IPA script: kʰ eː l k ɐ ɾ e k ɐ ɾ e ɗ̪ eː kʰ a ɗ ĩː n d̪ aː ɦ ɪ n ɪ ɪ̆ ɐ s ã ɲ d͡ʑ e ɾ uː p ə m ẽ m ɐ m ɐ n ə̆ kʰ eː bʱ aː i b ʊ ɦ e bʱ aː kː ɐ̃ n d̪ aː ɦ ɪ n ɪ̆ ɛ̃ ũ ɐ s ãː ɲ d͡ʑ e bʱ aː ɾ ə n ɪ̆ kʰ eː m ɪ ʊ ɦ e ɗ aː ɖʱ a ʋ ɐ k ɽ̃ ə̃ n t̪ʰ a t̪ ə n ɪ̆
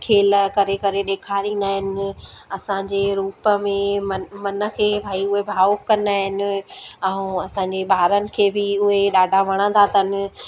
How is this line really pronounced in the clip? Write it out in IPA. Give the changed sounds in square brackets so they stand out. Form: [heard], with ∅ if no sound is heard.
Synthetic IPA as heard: kʰ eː l k ɐ ɾ e k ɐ ɾ e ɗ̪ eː kʰ a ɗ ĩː n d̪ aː ɦ ɪ n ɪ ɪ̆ ɐ s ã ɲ d͡ʑ e ɾ uː p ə m ẽ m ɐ m ɐ n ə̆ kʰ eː bʱ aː i [∅] ʊ ɦ e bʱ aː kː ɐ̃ n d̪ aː ɦ ɪ n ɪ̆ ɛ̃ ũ ɐ s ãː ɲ d͡ʑ e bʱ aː ɾ ə n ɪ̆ kʰ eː [b] ɪ ʊ ɦ e ɗ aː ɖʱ a ʋ ɐ [∅] ɽ̃ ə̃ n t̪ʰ a t̪ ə n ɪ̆